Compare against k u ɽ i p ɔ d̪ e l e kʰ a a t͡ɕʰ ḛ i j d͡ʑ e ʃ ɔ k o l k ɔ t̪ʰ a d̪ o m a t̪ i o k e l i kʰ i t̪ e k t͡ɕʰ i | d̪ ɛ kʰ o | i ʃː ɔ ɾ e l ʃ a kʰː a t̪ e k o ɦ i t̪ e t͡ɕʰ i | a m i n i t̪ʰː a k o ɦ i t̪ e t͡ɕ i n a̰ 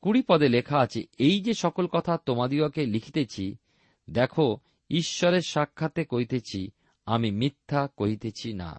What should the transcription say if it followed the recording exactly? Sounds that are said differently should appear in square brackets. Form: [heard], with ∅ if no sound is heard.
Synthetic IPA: k u ɽ i p ɔ d̪ e l e kʰ a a t͡ɕʰ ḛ [e] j d͡ʑ e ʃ ɔ k o l k ɔ t̪ʰ a [t̪] o m a [d̪] i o k e l i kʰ i t̪ e [∅] t͡ɕʰ i | d̪ ɛ kʰ o | i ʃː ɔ ɾ e [ɾ] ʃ a kʰː a t̪ e k o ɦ i t̪ e t͡ɕʰ i | a m i [m] i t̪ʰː a k o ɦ i t̪ e [t͡ɕʰ] i n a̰